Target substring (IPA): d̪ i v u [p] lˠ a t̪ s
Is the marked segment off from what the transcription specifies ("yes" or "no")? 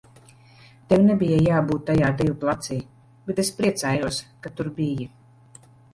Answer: no